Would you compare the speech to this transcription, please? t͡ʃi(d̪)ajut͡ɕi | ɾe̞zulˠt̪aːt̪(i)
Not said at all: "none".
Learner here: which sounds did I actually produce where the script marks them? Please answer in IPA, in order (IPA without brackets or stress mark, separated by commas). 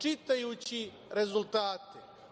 t̪, e